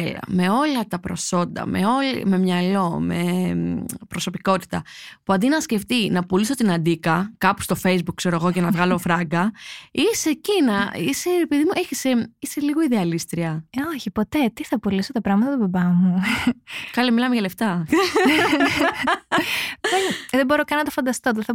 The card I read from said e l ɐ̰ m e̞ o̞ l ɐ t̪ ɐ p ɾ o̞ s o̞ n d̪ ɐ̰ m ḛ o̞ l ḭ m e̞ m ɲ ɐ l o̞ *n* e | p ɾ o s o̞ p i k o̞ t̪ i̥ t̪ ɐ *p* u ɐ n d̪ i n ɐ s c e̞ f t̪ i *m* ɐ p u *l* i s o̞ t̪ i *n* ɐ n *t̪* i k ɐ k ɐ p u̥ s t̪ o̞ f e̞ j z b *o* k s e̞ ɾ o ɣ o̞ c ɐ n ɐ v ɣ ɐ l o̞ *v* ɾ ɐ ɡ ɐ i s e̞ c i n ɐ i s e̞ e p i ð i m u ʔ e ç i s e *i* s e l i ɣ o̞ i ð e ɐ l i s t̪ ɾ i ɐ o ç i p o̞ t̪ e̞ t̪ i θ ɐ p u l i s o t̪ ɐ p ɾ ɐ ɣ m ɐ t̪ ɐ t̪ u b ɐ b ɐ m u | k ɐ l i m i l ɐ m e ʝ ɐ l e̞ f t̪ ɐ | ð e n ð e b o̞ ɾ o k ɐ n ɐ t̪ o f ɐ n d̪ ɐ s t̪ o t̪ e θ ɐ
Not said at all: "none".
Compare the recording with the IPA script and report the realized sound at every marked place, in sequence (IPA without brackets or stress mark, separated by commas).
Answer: m, p, n, l, n, d̪, u, f, i